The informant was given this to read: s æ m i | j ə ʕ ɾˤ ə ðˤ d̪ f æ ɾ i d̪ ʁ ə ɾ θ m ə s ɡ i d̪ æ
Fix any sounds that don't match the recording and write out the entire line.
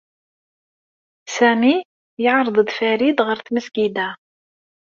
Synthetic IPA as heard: s æ m i | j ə ʕ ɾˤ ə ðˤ d̪ f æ ɾ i d̪ ʁ ə ɾ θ m ə s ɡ i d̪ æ

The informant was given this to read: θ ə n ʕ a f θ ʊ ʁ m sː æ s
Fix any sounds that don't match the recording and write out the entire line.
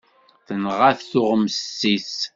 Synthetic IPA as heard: θ ə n ʁ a θ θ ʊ ʁ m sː i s

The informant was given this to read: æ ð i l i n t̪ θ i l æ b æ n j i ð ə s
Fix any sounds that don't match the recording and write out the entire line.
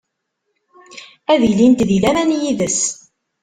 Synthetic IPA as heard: æ ð i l i n t̪ ð i l æ m æ n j i ð ə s

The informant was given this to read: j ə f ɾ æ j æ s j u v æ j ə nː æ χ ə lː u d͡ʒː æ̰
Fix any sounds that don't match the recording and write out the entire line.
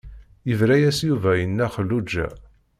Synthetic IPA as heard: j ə v ɾ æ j æ s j u v æ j ə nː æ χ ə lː u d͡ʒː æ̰

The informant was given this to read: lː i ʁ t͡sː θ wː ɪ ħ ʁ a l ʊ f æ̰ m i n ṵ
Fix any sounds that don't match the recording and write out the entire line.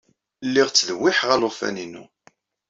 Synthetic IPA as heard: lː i ʁ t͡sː ð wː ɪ ħ ʁ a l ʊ f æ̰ n i n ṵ

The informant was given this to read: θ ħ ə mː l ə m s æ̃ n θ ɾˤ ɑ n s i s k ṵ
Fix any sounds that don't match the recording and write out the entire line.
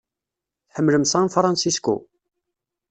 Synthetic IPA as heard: θ ħ ə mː l ə m s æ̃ n f ɾˤ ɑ n s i s k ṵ

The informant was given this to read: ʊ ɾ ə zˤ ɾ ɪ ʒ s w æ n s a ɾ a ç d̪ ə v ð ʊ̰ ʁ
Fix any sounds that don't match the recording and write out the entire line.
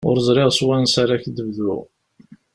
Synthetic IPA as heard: ʊ ɾ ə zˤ ɾ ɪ ʁ s w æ n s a ɾ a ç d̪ ə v ð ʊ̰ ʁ

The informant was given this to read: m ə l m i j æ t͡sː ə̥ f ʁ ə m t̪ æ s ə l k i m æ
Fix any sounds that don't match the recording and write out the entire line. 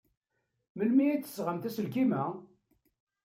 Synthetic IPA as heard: m ə l m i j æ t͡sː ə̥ s ʁ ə m t̪ æ s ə l k i m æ

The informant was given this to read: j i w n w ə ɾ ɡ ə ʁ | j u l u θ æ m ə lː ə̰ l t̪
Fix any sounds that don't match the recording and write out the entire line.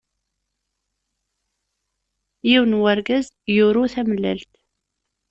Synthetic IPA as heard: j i w n w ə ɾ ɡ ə z | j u ɾ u θ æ m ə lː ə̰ l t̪

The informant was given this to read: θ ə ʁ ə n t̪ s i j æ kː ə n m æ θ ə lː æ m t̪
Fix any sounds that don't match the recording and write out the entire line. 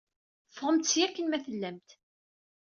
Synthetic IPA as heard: f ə ʁ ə m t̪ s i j æ kː ə n m æ θ ə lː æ m t̪

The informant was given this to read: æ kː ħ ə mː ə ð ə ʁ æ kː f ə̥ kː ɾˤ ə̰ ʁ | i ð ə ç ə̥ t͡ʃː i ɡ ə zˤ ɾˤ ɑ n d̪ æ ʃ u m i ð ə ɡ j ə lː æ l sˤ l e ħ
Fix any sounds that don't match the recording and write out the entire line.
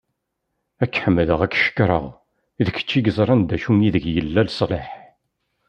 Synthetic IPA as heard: æ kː ħ ə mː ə ð ə ʁ æ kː ʃ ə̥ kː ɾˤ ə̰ ʁ | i ð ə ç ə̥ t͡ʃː i ɡ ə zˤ ɾˤ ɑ n d̪ æ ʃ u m i ð ə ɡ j ə lː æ l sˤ l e ħ

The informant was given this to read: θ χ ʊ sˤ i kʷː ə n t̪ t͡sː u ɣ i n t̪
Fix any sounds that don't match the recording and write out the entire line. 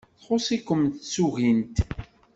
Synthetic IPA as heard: θ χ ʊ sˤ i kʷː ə m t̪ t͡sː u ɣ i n t̪

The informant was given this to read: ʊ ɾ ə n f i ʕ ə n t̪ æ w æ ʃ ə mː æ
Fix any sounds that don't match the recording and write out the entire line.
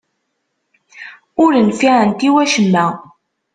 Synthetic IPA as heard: ʊ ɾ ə n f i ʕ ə n t̪ i w æ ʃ ə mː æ

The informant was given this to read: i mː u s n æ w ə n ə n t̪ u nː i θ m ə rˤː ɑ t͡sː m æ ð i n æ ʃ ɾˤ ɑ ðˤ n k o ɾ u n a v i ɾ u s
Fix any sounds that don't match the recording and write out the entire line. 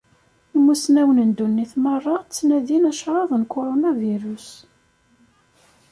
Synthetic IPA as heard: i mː u s n æ w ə n ə n d̪ u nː i θ m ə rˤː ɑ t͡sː n æ ð i n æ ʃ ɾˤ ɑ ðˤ n k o ɾ o n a v i ɾ u s

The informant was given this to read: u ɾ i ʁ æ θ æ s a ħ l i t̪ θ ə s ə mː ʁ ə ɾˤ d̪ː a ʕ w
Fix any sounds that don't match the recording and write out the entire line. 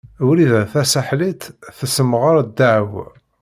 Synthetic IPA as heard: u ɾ i ð æ θ æ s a ħ l i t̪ θ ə s ə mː ʁ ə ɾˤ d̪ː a ʕ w

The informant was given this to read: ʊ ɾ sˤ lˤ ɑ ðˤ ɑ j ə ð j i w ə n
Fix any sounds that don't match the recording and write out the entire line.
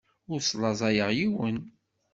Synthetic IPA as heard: ʊ ɾ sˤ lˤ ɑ zˤ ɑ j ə ʁ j i w ə n

